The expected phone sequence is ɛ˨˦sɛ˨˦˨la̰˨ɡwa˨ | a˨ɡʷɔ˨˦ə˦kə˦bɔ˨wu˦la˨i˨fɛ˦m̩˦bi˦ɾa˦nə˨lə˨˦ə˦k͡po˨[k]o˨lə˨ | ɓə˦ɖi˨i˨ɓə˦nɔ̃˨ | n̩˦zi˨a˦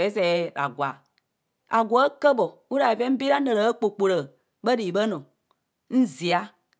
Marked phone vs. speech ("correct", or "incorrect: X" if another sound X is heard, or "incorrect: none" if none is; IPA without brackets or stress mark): incorrect: k͡p